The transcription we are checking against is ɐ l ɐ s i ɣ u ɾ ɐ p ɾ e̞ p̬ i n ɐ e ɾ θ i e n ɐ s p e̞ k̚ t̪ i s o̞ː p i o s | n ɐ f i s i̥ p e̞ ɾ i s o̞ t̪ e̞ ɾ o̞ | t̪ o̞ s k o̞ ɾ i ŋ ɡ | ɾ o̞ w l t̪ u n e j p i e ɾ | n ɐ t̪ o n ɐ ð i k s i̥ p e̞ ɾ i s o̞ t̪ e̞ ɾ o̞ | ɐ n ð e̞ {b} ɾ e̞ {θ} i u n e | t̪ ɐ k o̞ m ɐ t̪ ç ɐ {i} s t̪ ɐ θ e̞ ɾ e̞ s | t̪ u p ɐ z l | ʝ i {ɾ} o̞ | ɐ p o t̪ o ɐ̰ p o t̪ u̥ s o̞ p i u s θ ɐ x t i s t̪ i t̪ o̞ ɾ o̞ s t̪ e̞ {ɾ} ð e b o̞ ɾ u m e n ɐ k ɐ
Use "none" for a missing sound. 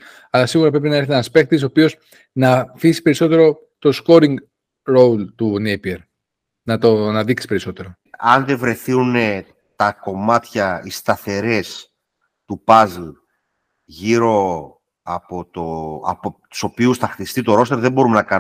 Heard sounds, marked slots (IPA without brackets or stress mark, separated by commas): v, θ, i, ɾ, ɾ